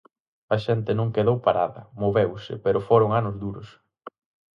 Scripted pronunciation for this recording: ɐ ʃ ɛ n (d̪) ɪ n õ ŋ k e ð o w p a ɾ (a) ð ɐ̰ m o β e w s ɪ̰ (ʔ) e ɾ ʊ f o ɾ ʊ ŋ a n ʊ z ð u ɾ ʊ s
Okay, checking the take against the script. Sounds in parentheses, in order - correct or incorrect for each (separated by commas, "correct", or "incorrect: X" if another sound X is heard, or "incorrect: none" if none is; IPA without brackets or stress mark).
incorrect: t̪, correct, incorrect: p